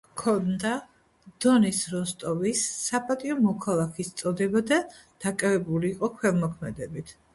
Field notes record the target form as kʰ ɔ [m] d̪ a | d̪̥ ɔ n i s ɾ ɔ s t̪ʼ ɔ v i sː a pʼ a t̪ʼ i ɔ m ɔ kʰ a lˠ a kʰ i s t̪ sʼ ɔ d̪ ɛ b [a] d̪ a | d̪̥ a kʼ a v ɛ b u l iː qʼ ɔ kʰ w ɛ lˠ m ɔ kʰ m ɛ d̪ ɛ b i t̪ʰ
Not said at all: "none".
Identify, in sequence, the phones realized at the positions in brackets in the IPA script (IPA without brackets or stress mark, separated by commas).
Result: n, a